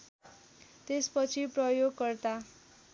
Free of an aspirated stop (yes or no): no